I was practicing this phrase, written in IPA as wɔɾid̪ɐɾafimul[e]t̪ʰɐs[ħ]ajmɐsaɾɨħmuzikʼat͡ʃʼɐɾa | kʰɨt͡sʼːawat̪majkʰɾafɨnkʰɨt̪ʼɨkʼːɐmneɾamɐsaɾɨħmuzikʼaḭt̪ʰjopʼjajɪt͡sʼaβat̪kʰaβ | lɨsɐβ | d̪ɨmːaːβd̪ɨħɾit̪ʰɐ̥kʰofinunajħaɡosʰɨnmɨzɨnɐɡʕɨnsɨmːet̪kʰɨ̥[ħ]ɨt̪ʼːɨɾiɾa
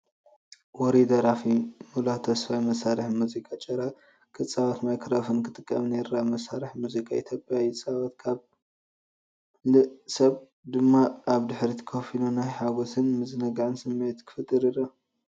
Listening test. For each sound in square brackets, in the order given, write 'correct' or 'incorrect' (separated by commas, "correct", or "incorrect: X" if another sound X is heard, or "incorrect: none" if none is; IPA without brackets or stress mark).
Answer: incorrect: a, incorrect: f, incorrect: f